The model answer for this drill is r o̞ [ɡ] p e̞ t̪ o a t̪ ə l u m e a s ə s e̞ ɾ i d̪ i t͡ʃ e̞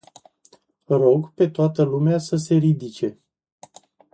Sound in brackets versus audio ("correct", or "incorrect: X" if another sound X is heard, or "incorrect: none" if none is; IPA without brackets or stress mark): correct